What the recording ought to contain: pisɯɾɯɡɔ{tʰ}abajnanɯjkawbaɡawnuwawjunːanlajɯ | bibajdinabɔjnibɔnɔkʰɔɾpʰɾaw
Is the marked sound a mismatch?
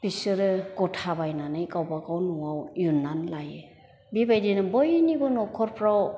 no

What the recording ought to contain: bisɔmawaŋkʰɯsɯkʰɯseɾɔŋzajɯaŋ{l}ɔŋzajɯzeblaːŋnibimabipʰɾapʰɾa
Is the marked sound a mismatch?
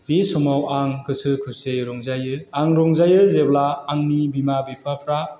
yes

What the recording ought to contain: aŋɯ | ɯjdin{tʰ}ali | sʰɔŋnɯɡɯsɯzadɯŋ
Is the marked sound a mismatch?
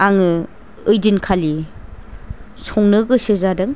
yes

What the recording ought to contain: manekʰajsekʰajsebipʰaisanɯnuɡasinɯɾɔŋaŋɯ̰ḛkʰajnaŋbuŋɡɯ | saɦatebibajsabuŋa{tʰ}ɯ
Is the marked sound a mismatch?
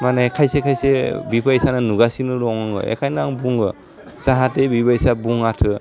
no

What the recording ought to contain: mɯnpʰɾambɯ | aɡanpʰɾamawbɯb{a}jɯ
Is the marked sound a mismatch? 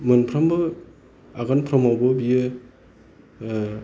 yes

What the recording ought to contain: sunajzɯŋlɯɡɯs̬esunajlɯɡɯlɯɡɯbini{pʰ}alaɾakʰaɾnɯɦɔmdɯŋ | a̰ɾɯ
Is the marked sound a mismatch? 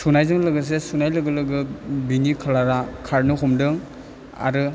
yes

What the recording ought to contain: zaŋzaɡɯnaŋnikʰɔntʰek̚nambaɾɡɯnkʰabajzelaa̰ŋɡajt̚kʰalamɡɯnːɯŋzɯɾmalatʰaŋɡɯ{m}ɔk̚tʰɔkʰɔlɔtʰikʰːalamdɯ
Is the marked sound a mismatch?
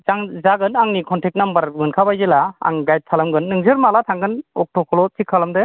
yes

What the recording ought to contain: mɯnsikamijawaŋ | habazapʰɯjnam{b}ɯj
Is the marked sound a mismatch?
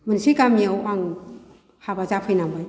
no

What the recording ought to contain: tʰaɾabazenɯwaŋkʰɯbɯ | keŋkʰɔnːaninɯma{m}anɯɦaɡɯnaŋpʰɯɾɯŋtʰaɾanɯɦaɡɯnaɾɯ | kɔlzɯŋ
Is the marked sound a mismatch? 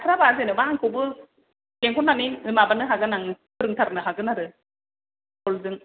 yes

